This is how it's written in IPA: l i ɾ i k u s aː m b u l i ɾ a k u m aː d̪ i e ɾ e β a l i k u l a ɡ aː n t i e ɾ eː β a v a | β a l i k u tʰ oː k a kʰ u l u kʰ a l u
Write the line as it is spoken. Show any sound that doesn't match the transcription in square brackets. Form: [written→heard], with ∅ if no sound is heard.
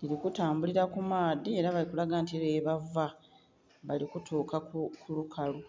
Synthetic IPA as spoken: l i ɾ i k u [s→t] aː m b u l i ɾ a k u m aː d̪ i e ɾ [e→a] β a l i k u l a ɡ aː n t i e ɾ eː β a v a | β a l i k u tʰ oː k a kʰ u l u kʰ a l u